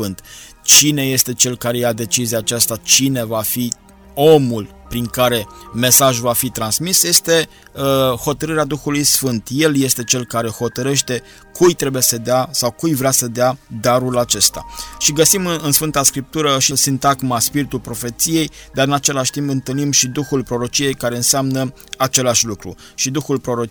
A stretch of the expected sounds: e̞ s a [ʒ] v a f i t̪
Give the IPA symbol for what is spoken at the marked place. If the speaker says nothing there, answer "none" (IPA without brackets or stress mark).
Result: ʒ